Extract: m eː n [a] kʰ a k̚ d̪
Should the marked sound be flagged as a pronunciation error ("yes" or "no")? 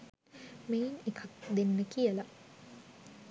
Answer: yes